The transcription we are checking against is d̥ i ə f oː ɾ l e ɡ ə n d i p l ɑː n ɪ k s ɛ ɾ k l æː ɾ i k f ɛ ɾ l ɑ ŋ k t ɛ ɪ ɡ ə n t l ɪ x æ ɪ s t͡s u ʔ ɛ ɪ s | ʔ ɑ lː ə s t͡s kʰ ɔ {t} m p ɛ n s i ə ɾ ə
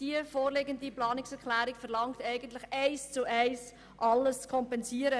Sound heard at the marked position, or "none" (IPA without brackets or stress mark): none